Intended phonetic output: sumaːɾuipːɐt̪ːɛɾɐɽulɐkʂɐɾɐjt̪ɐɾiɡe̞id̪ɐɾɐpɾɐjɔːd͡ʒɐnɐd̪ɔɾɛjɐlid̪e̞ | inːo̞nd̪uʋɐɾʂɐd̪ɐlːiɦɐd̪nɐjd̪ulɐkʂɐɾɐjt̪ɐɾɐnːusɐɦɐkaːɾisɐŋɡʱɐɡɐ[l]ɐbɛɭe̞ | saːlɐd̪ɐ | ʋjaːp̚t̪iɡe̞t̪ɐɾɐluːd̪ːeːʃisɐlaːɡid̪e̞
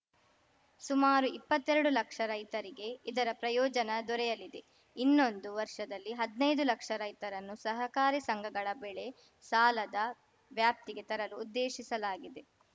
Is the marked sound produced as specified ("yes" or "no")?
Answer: no